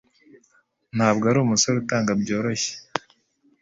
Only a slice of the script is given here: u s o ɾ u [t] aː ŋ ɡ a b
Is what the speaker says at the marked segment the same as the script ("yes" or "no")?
yes